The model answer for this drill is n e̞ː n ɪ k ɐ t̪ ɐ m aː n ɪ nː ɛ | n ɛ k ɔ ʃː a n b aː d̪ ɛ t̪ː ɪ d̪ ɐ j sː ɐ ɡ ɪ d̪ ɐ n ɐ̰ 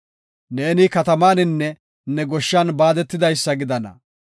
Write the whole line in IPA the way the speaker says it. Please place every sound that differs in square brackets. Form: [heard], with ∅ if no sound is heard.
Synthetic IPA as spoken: n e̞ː n ɪ k ɐ t̪ ɐ m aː n ɪ nː ɛ | n ɛ [ɡ] ɔ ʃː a n b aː d̪ ɛ t̪ː ɪ d̪ ɐ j sː ɐ ɡ ɪ d̪ ɐ n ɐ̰